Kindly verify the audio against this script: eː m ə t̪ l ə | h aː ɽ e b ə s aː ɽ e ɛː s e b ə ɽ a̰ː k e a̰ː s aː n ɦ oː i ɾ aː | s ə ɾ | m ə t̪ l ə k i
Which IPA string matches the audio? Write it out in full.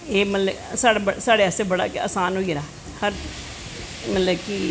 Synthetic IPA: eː m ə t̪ l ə | s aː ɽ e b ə s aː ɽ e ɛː s e b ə ɽ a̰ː k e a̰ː s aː n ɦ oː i ɾ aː | h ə ɾ | m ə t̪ l ə k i